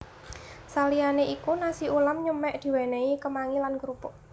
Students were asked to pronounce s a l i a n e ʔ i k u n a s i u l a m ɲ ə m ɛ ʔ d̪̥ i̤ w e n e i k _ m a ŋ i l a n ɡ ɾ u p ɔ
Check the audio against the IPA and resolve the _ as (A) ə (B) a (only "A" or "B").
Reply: A